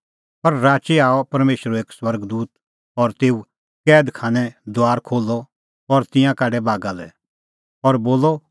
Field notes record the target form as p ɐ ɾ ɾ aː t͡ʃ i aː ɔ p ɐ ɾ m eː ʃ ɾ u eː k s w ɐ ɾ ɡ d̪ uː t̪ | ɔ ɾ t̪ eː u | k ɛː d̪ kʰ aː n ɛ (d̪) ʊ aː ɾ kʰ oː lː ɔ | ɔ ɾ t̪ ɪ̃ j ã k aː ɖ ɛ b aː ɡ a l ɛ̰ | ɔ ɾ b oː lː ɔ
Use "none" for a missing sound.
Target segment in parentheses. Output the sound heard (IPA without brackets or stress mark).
d̪